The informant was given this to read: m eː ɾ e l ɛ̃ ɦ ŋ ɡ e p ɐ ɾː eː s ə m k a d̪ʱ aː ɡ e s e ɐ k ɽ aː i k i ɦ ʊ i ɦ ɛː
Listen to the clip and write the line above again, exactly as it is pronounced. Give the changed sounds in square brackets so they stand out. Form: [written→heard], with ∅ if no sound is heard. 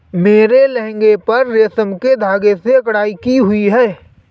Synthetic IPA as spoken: m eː ɾ e l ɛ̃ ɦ ŋ ɡ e p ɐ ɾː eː s ə m k [a→e] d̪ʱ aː ɡ e s e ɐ k ɽ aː i k i ɦ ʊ i ɦ ɛː